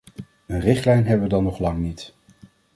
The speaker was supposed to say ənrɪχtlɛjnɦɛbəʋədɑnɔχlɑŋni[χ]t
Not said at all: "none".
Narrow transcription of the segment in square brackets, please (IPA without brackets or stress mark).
none